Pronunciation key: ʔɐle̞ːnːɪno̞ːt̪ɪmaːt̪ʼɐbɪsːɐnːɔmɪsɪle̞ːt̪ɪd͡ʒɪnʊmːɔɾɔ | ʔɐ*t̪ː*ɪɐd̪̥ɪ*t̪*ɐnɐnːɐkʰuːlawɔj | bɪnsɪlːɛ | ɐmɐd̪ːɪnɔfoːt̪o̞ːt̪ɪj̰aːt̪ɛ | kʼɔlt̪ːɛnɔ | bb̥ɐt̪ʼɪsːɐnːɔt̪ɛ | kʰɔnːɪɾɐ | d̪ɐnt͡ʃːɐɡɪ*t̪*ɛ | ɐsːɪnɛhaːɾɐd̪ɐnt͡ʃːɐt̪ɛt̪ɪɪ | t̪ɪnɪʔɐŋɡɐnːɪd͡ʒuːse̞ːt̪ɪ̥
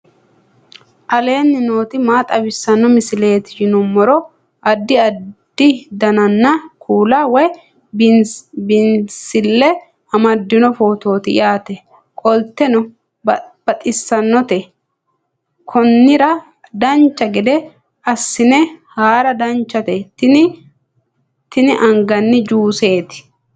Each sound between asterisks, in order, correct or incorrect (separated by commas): incorrect, incorrect, incorrect